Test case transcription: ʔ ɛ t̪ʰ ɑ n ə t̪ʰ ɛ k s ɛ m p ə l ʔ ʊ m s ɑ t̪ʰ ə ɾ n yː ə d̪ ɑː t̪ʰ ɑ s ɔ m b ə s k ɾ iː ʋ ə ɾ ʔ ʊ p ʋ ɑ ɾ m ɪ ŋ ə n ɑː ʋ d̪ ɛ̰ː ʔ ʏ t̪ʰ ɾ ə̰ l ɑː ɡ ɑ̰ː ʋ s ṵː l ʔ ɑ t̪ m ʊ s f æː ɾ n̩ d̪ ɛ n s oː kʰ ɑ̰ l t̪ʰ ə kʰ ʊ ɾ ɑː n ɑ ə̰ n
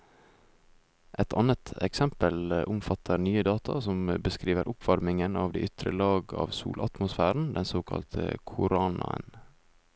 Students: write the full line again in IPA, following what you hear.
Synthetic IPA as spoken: ʔ ɛ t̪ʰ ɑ n ə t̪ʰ ɛ k s ɛ m p ə l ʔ ʊ m f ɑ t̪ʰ ə ɾ n yː ə d̪ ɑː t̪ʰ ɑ s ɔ m b ə s k ɾ iː ʋ ə ɾ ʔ ʊ p ʋ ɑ ɾ m ɪ ŋ ə n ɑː ʋ d̪ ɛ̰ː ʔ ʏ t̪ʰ ɾ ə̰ l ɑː ɡ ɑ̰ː ʋ s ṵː l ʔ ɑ t̪ m ʊ s f æː ɾ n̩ d̪ ɛ n s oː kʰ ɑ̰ l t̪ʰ ə kʰ ʊ ɾ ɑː n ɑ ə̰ n